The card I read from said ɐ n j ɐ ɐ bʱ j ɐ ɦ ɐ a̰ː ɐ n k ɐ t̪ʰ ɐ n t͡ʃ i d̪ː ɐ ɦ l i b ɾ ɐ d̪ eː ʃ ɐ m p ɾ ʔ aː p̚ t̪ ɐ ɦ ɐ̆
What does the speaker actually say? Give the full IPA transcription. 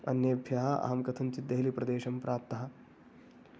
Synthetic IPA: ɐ n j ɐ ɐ bʱ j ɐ ɦ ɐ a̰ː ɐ m k ɐ t̪ʰ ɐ n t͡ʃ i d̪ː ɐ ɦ l i p ɾ ɐ d̪ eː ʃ ɐ m p ɾ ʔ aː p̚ t̪ ɐ ɦ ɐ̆